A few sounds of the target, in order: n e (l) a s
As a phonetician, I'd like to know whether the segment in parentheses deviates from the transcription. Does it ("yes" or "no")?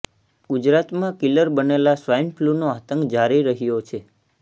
no